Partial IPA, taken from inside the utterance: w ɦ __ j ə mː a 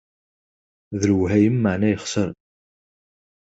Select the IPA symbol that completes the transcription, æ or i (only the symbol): æ